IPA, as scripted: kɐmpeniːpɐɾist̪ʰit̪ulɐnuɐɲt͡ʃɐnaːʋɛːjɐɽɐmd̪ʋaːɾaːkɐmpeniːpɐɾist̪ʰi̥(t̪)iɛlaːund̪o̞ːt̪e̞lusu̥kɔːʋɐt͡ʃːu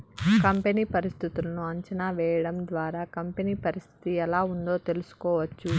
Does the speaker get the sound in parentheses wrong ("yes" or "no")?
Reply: no